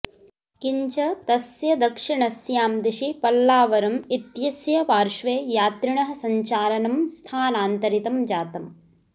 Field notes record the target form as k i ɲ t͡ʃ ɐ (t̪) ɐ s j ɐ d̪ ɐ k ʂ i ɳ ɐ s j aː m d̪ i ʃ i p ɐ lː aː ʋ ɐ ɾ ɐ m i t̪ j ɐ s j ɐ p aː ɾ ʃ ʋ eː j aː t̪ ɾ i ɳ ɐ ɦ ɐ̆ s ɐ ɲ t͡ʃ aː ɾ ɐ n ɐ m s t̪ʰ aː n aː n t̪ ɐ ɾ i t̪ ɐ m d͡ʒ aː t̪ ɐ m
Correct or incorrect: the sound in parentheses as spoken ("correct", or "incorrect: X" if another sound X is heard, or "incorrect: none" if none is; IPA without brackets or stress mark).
correct